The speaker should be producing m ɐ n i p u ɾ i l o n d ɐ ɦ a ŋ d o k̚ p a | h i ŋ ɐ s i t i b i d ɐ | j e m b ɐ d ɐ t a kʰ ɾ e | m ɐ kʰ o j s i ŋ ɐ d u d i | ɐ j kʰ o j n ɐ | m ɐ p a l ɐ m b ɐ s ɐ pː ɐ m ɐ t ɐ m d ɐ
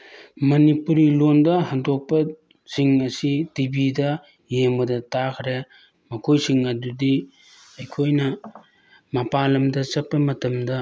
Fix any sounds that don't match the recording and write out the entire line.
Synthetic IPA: m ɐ n i p u ɾ i l o n d ɐ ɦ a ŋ d o k̚ p ɐ | s i ŋ ɐ s i t i b i d ɐ | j e m b ɐ d ɐ t a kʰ ɾ e | m ɐ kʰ o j s i ŋ ɐ d u d i | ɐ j kʰ o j n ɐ | m ɐ p a l ɐ m d ɐ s ɐ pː ɐ m ɐ t ɐ m d ɐ